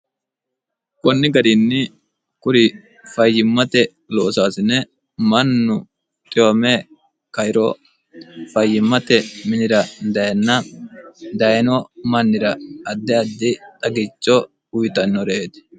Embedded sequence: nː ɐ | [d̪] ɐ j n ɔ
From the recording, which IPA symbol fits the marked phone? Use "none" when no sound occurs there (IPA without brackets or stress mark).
d̪